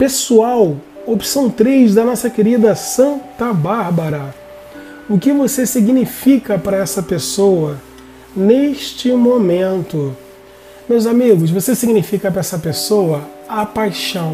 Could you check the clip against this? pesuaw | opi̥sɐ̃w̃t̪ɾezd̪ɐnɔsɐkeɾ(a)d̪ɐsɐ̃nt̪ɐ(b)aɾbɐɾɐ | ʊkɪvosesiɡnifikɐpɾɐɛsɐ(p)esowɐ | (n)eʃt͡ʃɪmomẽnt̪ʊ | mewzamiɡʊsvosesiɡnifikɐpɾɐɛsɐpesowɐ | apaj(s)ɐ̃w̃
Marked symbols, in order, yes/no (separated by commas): no, yes, yes, yes, no